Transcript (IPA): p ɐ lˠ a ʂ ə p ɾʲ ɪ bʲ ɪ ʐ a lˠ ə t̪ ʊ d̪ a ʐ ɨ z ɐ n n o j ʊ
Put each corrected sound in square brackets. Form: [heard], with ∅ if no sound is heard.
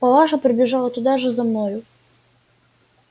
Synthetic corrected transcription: p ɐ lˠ a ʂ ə p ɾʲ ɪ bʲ ɪ ʐ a lˠ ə t̪ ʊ d̪ a ʐ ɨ z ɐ [m] n o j ʊ